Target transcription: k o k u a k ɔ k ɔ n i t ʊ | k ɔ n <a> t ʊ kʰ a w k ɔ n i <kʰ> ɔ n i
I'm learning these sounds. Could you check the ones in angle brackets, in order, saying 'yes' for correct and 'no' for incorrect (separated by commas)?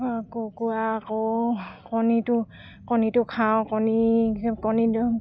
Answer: no, no